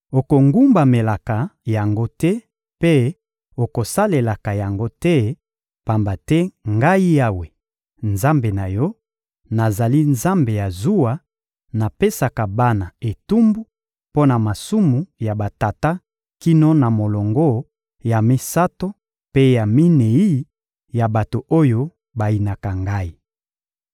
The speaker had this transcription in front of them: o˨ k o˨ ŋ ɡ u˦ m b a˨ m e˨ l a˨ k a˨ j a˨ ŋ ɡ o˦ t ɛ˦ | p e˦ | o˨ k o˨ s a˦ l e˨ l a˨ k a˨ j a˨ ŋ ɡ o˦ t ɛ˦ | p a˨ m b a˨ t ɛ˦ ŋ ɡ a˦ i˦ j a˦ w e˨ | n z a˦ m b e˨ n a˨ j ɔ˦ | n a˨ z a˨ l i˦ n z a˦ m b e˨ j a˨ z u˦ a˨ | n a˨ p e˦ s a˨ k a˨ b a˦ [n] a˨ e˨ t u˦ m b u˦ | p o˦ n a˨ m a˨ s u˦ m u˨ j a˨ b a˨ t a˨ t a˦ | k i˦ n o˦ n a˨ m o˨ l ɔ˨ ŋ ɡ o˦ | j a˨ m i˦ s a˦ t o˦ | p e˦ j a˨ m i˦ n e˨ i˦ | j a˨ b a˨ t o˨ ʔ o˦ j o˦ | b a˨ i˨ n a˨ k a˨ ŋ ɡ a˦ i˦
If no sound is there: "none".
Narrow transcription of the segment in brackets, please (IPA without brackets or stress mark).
n